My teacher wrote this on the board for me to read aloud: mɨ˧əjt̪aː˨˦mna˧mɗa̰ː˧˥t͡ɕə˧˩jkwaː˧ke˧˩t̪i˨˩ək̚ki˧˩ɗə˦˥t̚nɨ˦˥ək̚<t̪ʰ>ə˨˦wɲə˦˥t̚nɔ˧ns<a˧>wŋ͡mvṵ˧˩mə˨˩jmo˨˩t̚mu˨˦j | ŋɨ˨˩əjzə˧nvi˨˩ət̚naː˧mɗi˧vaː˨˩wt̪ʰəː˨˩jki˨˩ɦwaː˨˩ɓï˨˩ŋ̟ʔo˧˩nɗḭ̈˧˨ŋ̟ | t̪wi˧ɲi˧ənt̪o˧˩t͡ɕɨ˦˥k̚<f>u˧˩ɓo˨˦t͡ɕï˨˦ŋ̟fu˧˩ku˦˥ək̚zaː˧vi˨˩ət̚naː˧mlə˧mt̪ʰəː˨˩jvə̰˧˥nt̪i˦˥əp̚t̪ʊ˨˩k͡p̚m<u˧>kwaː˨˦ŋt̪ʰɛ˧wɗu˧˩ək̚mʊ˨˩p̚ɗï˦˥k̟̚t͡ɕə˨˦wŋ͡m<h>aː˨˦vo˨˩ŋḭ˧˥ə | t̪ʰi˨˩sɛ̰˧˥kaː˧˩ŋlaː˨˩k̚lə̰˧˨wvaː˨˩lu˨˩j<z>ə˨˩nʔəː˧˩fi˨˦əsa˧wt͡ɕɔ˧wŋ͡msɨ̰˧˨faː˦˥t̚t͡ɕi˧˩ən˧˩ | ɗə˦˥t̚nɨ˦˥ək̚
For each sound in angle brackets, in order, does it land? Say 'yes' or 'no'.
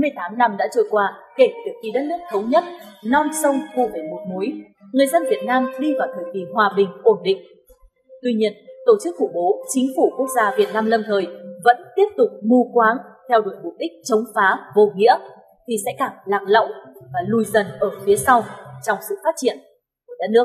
yes, no, yes, yes, no, yes

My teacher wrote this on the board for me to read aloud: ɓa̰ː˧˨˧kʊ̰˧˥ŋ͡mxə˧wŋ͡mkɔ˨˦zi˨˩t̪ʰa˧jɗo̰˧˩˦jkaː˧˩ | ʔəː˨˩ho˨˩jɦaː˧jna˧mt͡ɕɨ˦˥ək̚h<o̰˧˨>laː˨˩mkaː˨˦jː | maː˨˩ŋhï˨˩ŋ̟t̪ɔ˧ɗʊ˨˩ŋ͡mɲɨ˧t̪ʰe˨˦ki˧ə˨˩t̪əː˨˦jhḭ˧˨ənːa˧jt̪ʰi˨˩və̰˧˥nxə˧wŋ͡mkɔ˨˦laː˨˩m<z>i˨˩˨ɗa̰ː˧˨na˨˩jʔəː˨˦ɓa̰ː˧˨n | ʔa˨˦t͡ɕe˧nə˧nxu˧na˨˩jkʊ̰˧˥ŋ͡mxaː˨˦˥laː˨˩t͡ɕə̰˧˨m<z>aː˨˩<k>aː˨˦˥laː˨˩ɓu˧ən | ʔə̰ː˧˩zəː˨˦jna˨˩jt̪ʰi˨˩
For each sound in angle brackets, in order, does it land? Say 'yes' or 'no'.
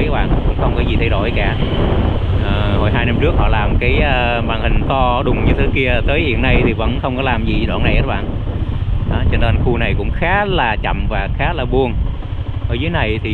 no, yes, no, no

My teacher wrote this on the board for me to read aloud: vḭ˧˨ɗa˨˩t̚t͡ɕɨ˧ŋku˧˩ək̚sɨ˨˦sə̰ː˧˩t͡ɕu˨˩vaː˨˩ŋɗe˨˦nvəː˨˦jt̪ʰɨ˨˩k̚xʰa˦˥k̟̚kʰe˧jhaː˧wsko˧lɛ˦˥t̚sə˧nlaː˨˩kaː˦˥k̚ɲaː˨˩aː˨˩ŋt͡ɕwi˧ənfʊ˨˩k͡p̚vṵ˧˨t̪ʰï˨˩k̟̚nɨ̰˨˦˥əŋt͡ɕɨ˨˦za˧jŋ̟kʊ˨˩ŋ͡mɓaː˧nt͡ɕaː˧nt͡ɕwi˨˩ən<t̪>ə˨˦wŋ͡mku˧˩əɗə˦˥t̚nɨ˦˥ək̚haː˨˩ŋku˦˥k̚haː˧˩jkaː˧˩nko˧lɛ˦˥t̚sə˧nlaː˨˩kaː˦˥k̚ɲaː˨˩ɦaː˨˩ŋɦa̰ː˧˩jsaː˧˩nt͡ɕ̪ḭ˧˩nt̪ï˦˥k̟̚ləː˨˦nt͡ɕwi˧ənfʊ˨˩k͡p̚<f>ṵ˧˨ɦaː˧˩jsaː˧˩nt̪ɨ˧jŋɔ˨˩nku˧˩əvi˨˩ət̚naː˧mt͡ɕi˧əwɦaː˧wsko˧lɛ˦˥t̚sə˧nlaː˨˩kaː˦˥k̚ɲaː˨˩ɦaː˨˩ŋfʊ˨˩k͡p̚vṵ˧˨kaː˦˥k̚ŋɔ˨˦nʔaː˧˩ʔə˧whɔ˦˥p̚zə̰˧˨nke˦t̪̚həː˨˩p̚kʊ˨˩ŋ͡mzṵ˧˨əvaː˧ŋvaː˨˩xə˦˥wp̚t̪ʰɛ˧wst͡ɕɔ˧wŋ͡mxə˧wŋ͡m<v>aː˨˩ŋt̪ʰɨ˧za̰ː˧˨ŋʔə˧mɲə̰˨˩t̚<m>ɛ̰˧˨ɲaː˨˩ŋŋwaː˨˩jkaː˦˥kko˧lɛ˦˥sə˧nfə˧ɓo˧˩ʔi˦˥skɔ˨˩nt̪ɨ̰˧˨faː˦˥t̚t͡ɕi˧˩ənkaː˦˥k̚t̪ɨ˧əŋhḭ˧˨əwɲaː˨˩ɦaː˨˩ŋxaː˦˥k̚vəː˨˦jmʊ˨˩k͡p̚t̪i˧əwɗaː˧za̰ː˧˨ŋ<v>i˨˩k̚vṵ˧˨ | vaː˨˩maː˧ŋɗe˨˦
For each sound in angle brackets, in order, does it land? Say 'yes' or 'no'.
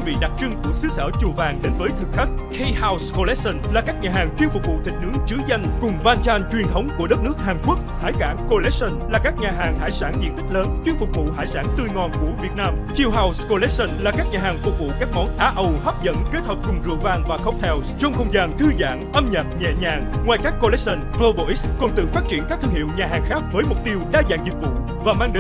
no, no, no, no, no

